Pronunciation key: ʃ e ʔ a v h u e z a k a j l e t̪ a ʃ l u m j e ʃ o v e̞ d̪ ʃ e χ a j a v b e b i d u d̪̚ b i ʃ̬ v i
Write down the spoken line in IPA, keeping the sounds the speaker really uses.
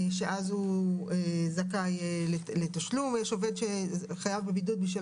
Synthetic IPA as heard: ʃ e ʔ a z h u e z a k a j l e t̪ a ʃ l u m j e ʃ o v e̞ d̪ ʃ e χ a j a v b e b i d u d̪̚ b i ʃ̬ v i